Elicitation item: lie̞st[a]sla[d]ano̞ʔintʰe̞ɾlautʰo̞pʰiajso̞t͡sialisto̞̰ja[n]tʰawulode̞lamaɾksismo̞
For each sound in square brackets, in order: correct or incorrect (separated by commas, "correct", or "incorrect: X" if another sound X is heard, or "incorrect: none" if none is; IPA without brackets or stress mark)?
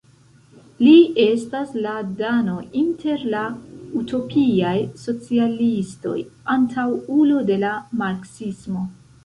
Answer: correct, correct, correct